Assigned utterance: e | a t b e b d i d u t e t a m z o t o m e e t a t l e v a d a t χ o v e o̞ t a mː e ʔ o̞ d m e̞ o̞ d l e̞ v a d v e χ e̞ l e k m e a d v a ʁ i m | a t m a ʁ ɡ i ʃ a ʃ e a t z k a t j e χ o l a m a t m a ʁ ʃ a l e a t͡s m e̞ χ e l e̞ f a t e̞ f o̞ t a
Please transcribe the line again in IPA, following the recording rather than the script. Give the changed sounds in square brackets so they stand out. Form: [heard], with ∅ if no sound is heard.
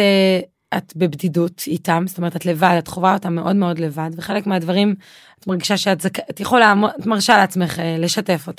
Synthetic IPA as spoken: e | a t b e b d i d u t [i] t a m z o t o m e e t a t l e v a d a t χ o v [a] o̞ t a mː e ʔ o̞ d m e̞ o̞ d l e̞ v a d v e χ e̞ l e k m e a d v a ʁ i m | a t m a ʁ ɡ i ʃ a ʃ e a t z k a t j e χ o l a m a t m a ʁ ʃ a l e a t͡s m e̞ χ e l e̞ [ʃ] a t e̞ f o̞ t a